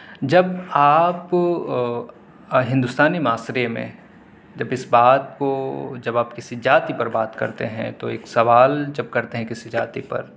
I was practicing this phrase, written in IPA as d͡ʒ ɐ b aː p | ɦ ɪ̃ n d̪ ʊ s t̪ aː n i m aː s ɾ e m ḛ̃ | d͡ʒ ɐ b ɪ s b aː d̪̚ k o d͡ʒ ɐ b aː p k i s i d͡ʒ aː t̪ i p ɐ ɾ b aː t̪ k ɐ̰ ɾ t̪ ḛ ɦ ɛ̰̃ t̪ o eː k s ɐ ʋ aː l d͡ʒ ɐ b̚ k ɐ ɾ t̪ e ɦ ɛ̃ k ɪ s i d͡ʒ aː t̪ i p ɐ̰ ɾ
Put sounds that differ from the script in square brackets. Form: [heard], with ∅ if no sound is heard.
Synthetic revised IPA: d͡ʒ ɐ b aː p | ɦ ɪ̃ n d̪ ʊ s t̪ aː n i m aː s ɾ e m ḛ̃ | d͡ʒ ɐ b ɪ s b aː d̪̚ k o d͡ʒ ɐ b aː p k [ɪ] s i d͡ʒ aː t̪ i p ɐ ɾ b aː t̪ k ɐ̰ ɾ t̪ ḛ ɦ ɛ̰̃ t̪ o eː k s ɐ ʋ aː l d͡ʒ ɐ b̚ k ɐ ɾ t̪ e ɦ ɛ̃ k ɪ s i d͡ʒ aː t̪ i p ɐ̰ ɾ